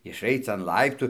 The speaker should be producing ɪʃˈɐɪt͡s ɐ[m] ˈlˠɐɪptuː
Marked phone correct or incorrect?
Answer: incorrect: n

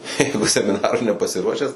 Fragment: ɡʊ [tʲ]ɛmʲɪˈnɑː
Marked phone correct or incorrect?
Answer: incorrect: sʲ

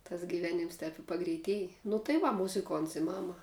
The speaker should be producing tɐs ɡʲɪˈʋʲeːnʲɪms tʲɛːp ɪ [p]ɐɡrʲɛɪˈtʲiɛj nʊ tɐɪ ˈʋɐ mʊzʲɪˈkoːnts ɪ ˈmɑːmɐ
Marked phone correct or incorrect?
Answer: correct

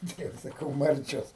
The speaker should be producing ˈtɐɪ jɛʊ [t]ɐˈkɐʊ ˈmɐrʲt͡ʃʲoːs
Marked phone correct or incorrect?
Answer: incorrect: s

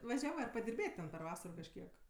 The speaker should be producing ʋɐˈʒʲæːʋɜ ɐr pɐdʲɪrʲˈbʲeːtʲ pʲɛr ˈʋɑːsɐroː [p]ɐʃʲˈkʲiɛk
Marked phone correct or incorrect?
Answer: incorrect: k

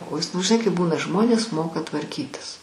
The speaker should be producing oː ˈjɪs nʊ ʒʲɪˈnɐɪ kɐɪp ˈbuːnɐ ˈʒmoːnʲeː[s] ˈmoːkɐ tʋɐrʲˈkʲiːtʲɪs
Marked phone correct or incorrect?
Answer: correct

